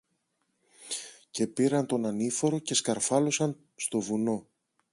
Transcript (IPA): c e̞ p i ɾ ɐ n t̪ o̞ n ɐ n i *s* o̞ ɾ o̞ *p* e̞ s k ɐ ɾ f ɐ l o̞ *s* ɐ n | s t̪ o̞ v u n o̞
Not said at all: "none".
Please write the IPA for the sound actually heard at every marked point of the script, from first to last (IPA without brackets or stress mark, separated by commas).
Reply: f, c, s